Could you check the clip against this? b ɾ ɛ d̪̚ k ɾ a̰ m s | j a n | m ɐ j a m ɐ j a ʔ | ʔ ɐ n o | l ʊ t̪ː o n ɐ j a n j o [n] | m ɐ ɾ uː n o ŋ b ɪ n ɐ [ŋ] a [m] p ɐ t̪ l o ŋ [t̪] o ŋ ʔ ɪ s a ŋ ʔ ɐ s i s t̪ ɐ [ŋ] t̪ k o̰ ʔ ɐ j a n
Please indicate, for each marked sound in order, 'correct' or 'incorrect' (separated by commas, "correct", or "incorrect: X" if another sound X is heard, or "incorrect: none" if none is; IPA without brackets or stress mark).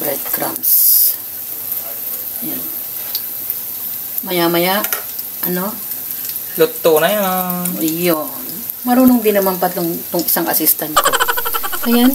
correct, incorrect: m, correct, correct, incorrect: n